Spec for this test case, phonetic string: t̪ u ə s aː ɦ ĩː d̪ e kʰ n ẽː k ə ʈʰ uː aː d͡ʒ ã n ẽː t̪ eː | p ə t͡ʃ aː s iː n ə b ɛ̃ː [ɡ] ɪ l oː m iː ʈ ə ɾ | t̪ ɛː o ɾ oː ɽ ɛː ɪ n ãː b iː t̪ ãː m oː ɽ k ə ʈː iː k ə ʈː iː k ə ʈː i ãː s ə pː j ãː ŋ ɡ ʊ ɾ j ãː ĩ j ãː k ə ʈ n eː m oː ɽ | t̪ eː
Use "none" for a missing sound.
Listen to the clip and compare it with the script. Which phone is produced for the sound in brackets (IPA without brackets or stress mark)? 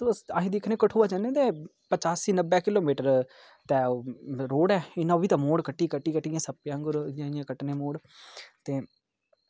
k